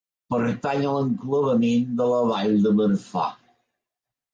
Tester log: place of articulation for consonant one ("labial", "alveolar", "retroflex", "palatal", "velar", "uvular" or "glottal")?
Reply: labial